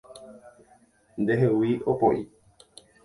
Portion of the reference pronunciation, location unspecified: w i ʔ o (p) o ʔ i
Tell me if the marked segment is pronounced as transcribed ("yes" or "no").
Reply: yes